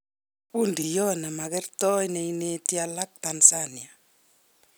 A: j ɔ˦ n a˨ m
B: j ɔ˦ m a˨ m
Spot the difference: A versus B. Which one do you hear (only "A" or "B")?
A